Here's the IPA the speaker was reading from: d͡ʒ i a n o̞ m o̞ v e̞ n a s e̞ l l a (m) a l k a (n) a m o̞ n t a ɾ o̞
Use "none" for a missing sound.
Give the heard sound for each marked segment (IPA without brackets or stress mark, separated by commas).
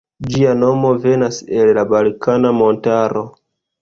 b, n